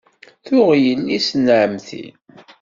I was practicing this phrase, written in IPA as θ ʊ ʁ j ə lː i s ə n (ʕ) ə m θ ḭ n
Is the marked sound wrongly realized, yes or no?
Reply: no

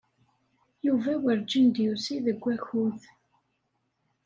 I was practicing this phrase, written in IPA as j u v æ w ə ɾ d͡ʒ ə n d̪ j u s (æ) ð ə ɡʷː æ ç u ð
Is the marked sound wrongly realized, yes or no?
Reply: yes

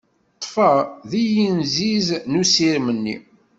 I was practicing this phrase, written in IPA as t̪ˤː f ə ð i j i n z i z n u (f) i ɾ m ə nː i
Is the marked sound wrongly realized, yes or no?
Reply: yes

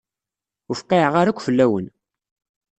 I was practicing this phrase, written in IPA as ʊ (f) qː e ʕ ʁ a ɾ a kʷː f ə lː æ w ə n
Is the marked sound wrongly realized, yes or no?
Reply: no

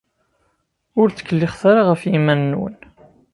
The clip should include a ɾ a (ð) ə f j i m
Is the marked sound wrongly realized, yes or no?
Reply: yes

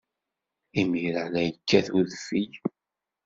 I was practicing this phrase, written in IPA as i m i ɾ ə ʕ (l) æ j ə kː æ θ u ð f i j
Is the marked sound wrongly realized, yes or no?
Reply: no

